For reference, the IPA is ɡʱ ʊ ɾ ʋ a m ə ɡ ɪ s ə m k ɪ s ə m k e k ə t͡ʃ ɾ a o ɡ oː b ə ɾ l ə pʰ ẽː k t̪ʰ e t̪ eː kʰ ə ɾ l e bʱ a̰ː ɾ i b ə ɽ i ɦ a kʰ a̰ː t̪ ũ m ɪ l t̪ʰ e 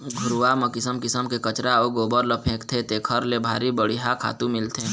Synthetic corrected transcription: ɡʱ ʊ ɾ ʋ a m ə k ɪ s ə m k ɪ s ə m k e k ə t͡ʃ ɾ a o ɡ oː b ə ɾ l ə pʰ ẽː k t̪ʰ e t̪ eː kʰ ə ɾ l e bʱ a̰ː ɾ i b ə ɽ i ɦ a kʰ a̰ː t̪ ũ m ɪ l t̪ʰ e

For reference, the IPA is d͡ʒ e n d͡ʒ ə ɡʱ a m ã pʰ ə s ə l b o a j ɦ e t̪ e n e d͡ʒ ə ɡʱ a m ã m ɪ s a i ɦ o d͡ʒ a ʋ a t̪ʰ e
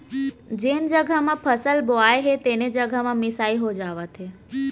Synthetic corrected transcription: d͡ʒ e n d͡ʒ ə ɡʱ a m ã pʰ ə s ə l b o a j ɦ e t̪ e n e d͡ʒ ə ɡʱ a m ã m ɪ s a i ɦ o d͡ʒ a ʋ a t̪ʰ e

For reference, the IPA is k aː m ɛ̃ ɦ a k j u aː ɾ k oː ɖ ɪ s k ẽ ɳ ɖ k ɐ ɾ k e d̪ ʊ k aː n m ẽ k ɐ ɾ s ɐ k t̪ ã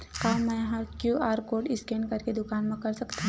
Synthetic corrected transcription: k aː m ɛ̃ ɦ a k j u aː ɾ k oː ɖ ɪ s k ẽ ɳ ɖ k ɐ ɾ k e d̪ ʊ k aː n m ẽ k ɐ ɾ s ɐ k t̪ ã

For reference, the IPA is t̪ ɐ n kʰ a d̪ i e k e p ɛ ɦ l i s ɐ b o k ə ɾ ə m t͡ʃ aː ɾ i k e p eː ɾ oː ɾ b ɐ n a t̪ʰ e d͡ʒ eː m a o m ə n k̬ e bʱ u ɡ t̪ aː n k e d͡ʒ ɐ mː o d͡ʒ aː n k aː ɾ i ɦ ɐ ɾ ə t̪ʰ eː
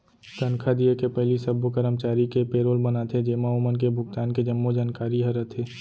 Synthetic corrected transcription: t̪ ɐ n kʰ a d̪ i e k e p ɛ ɦ l i s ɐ b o k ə ɾ ə m t͡ʃ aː ɾ i k e p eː ɾ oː l b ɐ n a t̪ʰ e d͡ʒ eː m a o m ə n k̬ e bʱ ʊ ɡ t̪ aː n k e d͡ʒ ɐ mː o d͡ʒ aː n k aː ɾ i ɦ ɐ ɾ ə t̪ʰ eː

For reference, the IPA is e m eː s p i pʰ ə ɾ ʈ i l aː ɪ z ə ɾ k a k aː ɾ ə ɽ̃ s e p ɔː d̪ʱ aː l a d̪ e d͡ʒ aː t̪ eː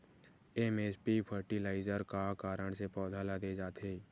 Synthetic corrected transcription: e m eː s p i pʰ ə ɾ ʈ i l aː ɪ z ə ɾ k a k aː ɾ ə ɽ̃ s e p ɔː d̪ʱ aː l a d̪ e d͡ʒ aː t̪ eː

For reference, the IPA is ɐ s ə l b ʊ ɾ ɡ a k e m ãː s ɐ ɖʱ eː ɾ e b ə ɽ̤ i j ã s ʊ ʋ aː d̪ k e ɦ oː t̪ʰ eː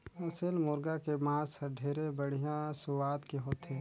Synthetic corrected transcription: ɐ s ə l m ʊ ɾ ɡ a k e m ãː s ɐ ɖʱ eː ɾ e b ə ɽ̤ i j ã s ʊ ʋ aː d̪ k e ɦ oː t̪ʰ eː

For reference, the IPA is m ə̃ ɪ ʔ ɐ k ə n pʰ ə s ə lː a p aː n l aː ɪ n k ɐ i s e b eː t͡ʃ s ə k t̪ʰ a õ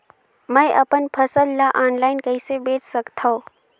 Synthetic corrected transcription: m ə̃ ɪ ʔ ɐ p ə n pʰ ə s ə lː a ʔ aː n l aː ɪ n k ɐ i s e b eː t͡ʃ s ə k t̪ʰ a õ

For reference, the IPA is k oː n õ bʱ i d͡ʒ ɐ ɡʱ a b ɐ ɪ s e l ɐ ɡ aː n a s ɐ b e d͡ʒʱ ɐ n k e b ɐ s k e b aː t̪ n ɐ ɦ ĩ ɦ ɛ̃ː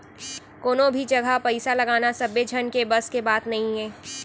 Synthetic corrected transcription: k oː n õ bʱ i d͡ʒ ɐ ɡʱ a p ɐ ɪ s a l ɐ ɡ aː n a s ɐ b e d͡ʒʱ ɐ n k e b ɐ s k e b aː t̪ n ɐ ɦ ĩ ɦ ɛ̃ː

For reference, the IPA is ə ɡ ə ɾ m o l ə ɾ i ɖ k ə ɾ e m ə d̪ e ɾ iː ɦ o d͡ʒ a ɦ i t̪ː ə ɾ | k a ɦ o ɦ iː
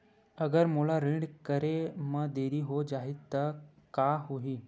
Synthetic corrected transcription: ə ɡ ə ɾ m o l a ɾ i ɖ k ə ɾ e m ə d̪ e ɾ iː ɦ o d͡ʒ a ɦ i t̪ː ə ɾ | k a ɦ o ɦ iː

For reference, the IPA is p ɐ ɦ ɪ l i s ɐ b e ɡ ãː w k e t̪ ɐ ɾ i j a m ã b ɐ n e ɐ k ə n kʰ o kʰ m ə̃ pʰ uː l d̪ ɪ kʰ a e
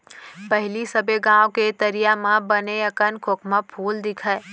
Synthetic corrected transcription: p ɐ ɦ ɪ l i s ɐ b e ɡ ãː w k e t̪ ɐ ɾ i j a m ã b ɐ n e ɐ k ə n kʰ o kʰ m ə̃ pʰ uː l d̪ ɪ kʰ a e

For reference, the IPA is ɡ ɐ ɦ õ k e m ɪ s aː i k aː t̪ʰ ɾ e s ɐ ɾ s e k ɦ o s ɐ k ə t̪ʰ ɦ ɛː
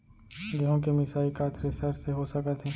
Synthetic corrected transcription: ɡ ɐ ɦ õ k e m ɪ s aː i k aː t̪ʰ ɾ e s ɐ ɾ s e ɦ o s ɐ k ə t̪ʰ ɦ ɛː

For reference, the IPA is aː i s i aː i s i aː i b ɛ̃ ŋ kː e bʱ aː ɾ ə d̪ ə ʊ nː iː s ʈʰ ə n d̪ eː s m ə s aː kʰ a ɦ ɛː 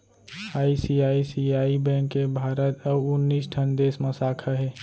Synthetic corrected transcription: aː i s i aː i s i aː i b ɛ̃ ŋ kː e bʱ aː ɾ ə t̪ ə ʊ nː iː s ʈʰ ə n d̪ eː s m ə s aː kʰ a ɦ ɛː

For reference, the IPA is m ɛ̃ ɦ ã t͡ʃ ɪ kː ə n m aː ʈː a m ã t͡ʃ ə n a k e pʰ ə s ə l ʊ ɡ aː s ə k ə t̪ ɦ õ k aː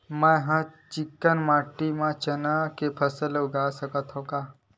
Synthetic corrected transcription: m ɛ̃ ɦ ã t͡ʃ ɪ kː ə n m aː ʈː i m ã t͡ʃ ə n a k e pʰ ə s ə l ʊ ɡ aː s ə k ə t̪ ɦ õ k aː

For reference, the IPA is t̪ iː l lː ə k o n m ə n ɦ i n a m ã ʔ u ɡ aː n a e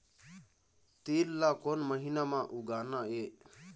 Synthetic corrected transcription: t̪ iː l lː a k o n m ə ɦ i n a m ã ʔ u ɡ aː n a e

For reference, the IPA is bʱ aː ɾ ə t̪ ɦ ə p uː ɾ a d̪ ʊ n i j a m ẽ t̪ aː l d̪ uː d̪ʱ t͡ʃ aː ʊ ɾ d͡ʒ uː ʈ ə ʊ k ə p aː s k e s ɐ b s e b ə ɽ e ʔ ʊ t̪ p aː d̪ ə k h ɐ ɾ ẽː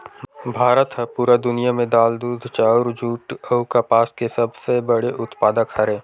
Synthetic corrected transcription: bʱ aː ɾ ə t̪ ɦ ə p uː ɾ a d̪ ʊ n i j a m ẽ d̪ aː l d̪ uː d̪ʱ t͡ʃ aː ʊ ɾ d͡ʒ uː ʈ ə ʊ k a p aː s k e s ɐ b s e b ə ɽ e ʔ ʊ t̪ p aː d̪ ə k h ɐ ɾ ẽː

